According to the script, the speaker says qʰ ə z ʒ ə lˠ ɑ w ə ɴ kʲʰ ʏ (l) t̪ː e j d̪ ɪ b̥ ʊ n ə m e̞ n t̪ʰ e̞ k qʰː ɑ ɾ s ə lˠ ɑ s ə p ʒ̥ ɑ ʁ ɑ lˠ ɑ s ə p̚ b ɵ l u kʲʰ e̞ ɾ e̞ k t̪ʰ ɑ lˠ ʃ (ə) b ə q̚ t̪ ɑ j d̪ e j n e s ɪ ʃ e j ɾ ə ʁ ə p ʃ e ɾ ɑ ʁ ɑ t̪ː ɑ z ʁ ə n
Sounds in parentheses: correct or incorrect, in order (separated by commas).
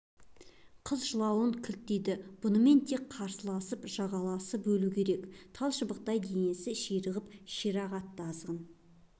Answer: correct, correct